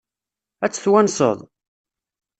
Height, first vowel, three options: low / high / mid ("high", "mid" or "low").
low